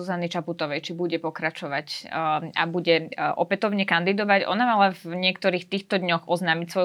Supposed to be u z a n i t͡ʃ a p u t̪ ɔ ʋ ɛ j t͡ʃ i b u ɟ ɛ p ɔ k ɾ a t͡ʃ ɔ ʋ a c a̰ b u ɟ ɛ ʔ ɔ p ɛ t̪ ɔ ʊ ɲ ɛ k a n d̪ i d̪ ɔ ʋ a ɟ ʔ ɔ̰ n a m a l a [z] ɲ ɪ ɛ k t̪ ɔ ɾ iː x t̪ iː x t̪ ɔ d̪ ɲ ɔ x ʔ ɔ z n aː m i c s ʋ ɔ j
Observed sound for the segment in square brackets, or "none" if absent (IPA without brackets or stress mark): v